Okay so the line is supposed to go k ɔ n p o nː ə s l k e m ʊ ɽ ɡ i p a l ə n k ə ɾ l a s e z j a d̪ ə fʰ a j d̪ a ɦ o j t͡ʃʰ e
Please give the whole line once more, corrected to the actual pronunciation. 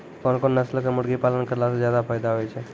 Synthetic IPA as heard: k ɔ n k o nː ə s l k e m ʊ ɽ ɡ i p a l ə n k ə ɾ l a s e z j a d̪ a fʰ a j d̪ a ɦ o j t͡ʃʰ e